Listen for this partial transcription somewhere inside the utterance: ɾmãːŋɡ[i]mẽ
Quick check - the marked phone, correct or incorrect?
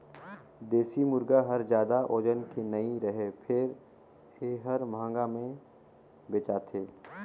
incorrect